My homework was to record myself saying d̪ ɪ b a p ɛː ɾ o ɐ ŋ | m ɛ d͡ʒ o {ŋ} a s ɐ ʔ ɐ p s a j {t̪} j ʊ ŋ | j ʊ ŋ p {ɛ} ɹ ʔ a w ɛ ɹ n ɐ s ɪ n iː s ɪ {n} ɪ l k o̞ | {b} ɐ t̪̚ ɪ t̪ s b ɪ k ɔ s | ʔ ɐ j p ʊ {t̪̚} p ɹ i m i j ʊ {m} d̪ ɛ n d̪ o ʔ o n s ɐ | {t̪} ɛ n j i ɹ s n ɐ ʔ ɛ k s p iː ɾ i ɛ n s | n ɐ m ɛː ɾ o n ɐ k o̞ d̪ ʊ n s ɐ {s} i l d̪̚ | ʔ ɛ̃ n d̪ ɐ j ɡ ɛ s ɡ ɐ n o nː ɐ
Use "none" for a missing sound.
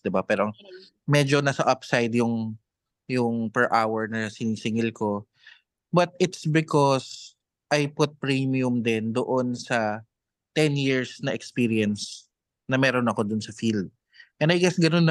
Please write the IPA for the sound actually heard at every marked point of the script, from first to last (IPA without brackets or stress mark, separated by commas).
n, d̪, ɛ, ŋ, b, t̪̚, m, t̪, f